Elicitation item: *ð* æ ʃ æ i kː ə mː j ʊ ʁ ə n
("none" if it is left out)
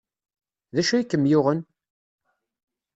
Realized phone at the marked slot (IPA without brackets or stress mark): ð